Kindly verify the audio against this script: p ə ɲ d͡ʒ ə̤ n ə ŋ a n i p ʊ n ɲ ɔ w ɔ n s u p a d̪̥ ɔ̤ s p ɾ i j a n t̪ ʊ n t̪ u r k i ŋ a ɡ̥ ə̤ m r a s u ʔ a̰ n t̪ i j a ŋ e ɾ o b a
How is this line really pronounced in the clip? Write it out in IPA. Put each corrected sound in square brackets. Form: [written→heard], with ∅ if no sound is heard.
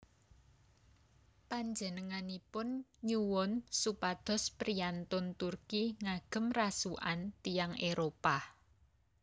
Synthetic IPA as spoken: p [ə→a] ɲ d͡ʒ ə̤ n ə ŋ a n i p ʊ n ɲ [ɔ→u] w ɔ n s u p a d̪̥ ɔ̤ s p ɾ i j a n t̪ ʊ n t̪ u r k i ŋ a ɡ̥ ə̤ m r a s u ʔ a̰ n t̪ i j a ŋ e ɾ o [b→p] a